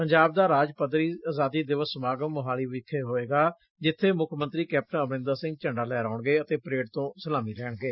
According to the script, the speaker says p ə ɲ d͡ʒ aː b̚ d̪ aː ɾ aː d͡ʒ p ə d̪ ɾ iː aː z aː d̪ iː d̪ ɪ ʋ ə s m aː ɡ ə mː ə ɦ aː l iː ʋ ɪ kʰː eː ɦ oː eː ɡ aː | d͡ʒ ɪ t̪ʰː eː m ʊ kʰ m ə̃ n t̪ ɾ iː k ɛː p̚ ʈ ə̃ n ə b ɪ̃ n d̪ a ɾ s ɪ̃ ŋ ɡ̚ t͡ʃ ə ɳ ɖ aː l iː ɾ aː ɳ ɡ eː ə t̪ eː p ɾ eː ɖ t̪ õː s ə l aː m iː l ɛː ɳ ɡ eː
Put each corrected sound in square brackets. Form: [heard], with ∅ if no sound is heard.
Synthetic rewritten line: p ə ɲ d͡ʒ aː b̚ d̪ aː ɾ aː d͡ʒ p ə d̪ ɾ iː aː z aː d̪ iː d̪ ɪ ʋ ə s m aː ɡ ə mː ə ɦ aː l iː ʋ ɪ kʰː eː ɦ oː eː ɡ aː | d͡ʒ ɪ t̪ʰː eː m ʊ kʰ m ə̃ n t̪ ɾ iː k ɛː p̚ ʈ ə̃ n ə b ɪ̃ n d̪ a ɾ s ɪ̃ ŋ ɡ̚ t͡ʃ ə ɳ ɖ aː l [ɛː] ɾ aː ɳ ɡ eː ə t̪ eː p ɾ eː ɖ t̪ õː s ə l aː m iː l ɛː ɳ ɡ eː

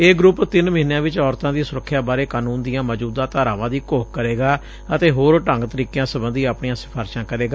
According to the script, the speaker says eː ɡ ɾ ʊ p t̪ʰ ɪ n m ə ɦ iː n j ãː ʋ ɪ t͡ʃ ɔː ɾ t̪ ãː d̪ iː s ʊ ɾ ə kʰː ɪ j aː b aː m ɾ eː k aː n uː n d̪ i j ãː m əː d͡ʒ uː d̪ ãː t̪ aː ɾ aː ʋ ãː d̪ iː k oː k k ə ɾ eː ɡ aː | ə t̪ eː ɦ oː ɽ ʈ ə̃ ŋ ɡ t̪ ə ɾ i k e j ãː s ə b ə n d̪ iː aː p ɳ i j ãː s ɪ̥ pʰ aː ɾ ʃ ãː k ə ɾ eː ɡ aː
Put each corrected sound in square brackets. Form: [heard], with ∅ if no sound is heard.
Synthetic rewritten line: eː ɡ ɾ ʊ p [t̪] ɪ n m ə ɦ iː n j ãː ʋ ɪ t͡ʃ ɔː ɾ t̪ ãː d̪ iː s ʊ ɾ ə kʰː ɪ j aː b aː [∅] ɾ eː k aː n uː n d̪ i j ãː m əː d͡ʒ uː d̪ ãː t̪ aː ɾ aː ʋ ãː d̪ iː k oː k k ə ɾ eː ɡ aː | ə t̪ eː ɦ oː [ɾ] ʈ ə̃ ŋ ɡ t̪ ə ɾ [iː] k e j ãː s ə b ə n d̪ iː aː p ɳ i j ãː s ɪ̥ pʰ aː ɾ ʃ ãː k ə ɾ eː ɡ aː

